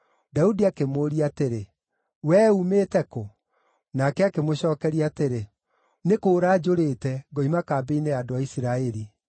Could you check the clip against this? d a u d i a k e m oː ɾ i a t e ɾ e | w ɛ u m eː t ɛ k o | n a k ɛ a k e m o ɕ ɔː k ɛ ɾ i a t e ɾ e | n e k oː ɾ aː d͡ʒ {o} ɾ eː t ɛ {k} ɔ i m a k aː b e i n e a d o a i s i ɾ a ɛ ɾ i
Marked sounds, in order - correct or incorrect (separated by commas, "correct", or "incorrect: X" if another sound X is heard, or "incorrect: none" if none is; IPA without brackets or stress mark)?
correct, incorrect: ɡ